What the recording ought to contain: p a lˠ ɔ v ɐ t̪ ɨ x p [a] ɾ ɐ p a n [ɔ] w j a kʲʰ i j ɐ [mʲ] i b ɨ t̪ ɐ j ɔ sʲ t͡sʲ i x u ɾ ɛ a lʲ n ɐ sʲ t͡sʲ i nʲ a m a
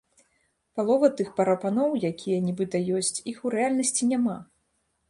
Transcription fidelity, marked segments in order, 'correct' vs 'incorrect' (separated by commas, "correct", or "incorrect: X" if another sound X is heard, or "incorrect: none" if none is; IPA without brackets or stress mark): incorrect: ɐ, correct, incorrect: nʲ